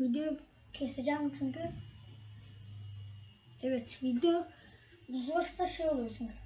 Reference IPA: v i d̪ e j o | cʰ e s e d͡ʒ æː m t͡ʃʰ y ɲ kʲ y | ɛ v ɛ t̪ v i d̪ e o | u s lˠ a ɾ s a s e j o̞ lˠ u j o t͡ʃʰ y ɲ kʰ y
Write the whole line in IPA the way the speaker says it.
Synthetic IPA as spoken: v i d̪ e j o | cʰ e s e d͡ʒ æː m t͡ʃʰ y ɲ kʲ y | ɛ v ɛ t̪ v i d̪ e o | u z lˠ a ɾ s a ʃ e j o̞ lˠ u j o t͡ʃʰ y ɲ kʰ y